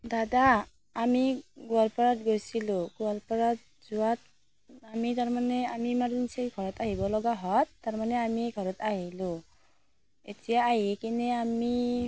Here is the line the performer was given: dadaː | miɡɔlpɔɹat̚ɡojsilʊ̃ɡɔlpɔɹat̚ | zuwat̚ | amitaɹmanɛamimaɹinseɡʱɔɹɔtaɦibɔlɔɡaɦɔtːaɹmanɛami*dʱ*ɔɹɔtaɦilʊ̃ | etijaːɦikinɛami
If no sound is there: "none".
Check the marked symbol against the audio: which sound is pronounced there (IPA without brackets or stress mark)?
ɡʱ